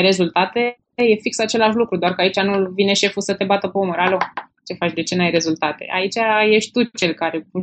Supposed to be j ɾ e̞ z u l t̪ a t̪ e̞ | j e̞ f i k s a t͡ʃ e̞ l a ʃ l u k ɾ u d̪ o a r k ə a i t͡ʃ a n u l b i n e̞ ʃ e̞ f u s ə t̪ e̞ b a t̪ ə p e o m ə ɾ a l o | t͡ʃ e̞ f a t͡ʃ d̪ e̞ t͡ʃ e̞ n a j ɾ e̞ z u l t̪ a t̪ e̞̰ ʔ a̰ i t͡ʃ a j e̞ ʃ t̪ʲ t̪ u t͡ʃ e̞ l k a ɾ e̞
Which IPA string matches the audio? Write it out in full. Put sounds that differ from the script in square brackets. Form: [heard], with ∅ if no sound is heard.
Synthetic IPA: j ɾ e̞ z u l t̪ a t̪ e̞ | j e̞ f i k s a t͡ʃ e̞ l a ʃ l u k ɾ u d̪ o a r k ə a i t͡ʃ a n u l [v] i n e̞ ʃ e̞ f u s ə t̪ e̞ b a t̪ ə p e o m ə ɾ a l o | t͡ʃ e̞ f a t͡ʃ d̪ e̞ t͡ʃ e̞ n a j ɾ e̞ z u l t̪ a t̪ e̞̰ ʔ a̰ i t͡ʃ a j e̞ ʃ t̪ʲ t̪ u t͡ʃ e̞ l k a ɾ e̞